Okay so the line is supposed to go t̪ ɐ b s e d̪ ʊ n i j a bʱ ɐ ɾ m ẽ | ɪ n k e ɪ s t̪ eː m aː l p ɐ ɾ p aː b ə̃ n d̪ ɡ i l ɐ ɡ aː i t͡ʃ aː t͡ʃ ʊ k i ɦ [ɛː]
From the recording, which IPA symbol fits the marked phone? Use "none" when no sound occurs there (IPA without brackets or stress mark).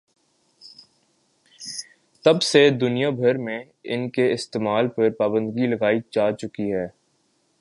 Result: ɛː